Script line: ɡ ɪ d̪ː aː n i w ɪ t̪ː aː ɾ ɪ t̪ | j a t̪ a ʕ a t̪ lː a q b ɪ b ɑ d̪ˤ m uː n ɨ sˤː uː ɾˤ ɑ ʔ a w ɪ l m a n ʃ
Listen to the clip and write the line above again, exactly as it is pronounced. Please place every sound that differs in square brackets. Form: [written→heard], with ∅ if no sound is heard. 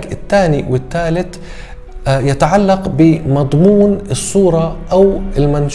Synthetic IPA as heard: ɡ ɪ [d̪ː→t̪ː] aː n i w ɪ t̪ː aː [ɾ→l] ɪ t̪ | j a t̪ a ʕ a [t̪→∅] lː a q b ɪ [b→m] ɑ d̪ˤ m uː n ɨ sˤː uː ɾˤ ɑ ʔ a w ɪ l m a n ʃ